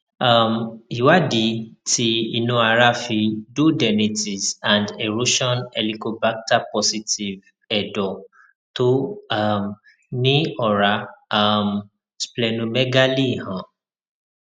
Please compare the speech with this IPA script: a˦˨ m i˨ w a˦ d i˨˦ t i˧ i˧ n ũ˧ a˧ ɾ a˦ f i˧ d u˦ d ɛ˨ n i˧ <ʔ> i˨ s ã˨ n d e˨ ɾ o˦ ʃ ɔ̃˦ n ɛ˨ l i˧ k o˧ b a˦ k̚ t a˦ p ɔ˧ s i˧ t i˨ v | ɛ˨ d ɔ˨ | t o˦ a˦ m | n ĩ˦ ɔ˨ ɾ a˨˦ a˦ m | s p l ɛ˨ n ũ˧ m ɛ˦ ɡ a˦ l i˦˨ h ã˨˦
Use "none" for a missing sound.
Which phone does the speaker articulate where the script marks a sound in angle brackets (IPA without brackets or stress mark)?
t